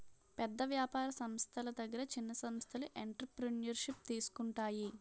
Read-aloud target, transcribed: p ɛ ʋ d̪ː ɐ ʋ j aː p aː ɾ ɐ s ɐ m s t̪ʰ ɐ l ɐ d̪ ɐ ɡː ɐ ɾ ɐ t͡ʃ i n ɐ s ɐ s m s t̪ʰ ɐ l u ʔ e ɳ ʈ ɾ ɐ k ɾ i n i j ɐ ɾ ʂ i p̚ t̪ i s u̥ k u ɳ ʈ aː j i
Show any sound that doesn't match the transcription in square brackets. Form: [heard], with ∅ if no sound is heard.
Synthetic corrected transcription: p ɛ [∅] d̪ː ɐ ʋ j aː p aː ɾ ɐ s ɐ m s t̪ʰ ɐ l ɐ d̪ ɐ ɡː ɐ ɾ ɐ t͡ʃ i [nː] ɐ s ɐ [∅] m s t̪ʰ ɐ l u ʔ e ɳ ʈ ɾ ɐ [p] ɾ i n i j ɐ ɾ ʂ i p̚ t̪ [iː] s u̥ k u ɳ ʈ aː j i